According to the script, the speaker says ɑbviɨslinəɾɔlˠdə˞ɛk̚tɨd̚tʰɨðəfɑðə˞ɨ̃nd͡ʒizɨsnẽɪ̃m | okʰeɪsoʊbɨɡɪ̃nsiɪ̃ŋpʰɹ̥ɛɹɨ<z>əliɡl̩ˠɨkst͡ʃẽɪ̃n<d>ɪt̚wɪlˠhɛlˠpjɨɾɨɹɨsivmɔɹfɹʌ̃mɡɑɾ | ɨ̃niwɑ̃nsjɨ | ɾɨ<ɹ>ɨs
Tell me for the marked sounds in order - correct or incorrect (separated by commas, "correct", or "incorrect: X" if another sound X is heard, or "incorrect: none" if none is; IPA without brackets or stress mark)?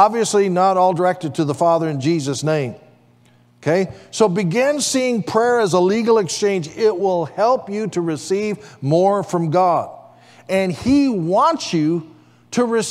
correct, incorrect: d͡ʒ, correct